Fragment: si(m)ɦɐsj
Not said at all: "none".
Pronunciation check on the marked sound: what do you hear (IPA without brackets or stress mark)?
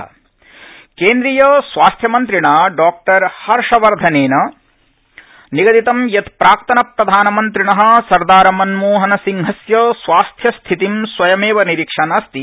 ŋ